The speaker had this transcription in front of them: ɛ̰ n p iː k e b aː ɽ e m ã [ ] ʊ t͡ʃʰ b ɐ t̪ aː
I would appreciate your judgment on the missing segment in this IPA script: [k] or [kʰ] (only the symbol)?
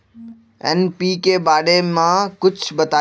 k